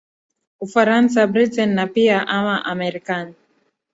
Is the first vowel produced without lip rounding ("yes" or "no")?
no